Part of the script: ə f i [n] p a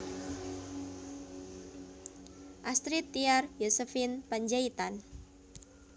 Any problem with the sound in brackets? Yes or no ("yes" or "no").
no